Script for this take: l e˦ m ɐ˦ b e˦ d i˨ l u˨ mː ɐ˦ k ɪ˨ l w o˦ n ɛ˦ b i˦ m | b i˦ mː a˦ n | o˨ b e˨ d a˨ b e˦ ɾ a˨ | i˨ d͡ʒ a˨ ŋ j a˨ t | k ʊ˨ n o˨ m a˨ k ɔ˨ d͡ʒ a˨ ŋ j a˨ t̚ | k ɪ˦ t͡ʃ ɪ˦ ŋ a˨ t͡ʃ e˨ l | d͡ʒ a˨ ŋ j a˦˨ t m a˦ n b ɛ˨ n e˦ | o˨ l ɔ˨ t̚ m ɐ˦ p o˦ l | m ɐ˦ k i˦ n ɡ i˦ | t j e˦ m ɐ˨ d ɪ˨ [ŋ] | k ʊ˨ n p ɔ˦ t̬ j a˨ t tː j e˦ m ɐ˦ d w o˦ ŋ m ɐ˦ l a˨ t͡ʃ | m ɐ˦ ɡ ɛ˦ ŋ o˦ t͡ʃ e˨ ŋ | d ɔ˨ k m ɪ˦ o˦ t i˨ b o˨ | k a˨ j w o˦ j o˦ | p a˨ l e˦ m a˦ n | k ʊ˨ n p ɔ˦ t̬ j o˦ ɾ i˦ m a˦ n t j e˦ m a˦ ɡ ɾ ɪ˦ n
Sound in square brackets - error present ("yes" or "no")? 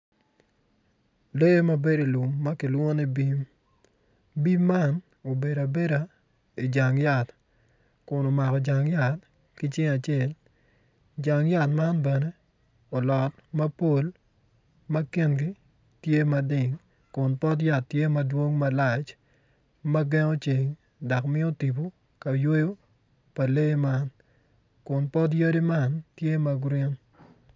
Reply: no